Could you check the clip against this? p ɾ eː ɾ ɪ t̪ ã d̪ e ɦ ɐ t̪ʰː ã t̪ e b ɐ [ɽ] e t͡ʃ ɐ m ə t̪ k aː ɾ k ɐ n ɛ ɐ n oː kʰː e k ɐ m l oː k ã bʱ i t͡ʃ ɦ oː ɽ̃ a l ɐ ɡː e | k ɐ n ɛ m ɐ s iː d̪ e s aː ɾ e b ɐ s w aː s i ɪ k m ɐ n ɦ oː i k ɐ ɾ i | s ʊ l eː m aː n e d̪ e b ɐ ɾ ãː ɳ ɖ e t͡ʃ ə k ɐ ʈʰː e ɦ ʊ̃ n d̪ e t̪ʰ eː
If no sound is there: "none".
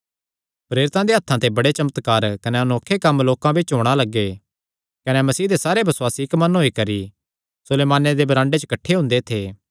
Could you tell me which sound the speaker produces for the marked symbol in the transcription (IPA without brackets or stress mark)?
ɽ